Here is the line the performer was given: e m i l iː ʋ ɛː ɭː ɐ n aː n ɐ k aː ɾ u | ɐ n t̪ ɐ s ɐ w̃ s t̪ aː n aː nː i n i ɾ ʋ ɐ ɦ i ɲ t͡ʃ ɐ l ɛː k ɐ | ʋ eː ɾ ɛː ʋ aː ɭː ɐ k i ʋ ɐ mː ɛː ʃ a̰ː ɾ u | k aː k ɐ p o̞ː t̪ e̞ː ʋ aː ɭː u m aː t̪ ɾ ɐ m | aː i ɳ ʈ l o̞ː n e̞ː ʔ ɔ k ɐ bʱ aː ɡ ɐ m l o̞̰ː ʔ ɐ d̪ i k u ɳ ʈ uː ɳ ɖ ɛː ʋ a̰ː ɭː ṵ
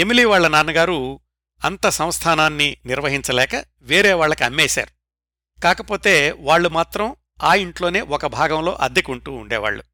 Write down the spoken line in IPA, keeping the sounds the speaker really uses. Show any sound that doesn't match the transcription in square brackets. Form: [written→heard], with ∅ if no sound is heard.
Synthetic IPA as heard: e m i l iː ʋ [ɛː→aː] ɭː ɐ n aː n ɐ [k→ɡ] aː ɾ u | ɐ n t̪ ɐ s ɐ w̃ s [t̪→t̪ʰ] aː n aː nː i n i ɾ ʋ ɐ ɦ i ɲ t͡ʃ ɐ l ɛː k ɐ | ʋ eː ɾ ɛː ʋ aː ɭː ɐ k i [ʋ→∅] ɐ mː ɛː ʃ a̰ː ɾ u | k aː k ɐ p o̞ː t̪ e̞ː ʋ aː ɭː u m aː t̪ ɾ ɐ m | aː i ɳ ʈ l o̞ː n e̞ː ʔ ɔ k ɐ bʱ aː ɡ ɐ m l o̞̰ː ʔ ɐ d̪ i k u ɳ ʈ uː ɳ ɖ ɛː ʋ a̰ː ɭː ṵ